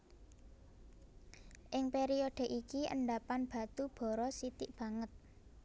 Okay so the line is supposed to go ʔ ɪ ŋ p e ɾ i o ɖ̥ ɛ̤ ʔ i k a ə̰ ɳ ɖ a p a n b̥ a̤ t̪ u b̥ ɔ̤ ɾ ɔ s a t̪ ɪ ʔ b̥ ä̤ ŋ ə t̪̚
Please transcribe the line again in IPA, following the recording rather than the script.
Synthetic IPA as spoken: ʔ ɪ ŋ p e ɾ i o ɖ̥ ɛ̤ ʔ i k i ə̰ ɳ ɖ a p a n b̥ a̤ t̪ u b̥ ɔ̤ ɾ ɔ s i t̪ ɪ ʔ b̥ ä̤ ŋ ə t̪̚